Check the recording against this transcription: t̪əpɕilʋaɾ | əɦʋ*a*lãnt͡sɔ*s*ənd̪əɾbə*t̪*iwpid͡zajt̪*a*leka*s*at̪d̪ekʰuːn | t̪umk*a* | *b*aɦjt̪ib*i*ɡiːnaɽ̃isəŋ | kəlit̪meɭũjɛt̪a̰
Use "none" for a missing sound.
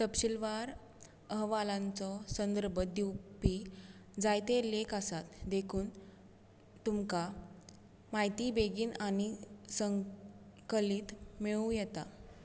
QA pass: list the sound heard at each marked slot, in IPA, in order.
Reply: a, s, d̪, e, s, a, m, e

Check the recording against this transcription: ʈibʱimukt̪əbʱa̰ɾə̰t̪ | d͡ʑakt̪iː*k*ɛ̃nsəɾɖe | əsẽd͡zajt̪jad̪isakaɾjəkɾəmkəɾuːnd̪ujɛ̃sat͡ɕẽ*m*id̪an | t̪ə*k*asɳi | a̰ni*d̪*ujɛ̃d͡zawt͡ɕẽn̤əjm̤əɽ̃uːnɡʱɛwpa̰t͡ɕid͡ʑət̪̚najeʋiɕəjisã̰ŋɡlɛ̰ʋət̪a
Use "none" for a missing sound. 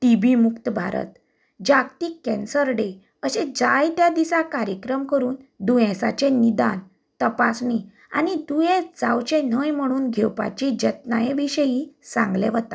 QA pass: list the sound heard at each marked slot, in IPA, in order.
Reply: k, n, p, d̪

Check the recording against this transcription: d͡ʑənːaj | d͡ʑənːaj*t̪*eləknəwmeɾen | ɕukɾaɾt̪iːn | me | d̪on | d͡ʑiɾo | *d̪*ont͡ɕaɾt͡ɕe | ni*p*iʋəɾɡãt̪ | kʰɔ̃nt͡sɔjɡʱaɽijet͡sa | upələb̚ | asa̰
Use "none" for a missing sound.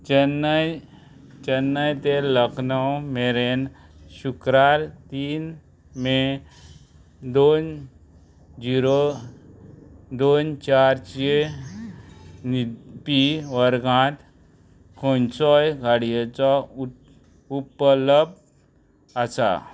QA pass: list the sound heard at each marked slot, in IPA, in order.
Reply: t̪, d̪, p

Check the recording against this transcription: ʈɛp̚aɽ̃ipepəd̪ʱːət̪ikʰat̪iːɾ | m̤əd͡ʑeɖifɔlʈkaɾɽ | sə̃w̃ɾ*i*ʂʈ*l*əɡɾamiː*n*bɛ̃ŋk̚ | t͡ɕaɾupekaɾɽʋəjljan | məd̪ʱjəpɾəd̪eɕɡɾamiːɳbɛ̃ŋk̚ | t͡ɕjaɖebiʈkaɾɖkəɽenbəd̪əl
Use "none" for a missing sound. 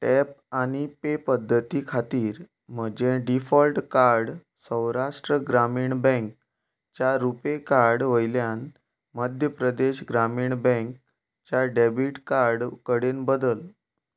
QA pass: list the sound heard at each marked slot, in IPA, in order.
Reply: a, ɾ, ɳ

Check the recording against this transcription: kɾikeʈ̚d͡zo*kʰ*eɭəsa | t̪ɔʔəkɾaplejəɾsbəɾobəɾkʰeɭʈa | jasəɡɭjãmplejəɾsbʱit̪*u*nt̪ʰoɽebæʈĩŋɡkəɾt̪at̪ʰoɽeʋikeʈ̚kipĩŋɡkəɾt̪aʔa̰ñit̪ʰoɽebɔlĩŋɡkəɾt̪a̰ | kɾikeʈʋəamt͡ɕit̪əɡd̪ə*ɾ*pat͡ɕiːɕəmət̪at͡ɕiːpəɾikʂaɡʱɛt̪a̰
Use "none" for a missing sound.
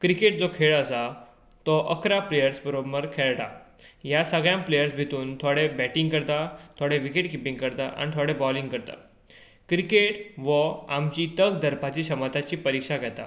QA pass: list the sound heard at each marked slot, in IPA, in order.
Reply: kʰ, uː, ɾ

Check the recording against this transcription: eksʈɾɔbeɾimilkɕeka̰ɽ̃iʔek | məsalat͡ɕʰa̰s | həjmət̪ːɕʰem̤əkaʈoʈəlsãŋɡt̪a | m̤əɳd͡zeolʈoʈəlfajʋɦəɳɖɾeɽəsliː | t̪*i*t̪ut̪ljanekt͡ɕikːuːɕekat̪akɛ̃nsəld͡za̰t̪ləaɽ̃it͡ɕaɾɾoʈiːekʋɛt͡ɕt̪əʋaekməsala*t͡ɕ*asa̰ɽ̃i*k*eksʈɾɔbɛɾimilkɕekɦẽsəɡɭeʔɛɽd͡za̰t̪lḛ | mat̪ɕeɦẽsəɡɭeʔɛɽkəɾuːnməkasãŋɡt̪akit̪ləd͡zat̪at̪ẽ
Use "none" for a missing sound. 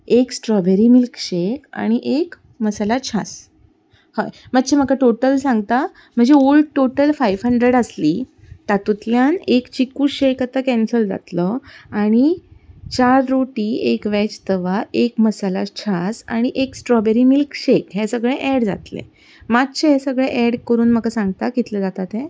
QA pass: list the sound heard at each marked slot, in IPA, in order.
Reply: a, t͡ɕʰ, ʔ

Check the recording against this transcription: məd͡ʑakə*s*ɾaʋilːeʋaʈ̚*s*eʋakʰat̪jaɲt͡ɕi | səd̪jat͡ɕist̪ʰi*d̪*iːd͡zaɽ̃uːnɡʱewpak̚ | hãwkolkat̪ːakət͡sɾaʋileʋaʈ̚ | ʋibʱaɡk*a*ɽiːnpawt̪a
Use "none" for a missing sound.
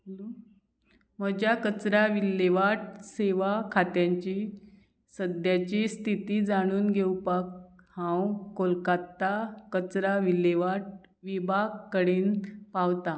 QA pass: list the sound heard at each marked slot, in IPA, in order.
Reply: t͡s, s, t̪, ə

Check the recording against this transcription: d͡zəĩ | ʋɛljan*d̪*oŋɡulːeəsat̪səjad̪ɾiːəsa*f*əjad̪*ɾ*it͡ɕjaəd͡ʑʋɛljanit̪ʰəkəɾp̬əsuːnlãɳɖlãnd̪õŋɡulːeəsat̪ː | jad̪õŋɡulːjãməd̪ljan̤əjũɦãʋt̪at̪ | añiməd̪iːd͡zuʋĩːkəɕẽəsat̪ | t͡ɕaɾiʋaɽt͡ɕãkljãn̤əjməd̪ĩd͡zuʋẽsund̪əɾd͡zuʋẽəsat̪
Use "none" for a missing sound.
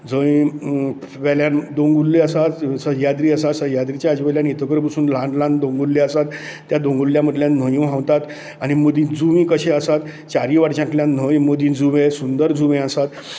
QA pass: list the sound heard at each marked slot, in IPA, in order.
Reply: d̪, s, ɾ

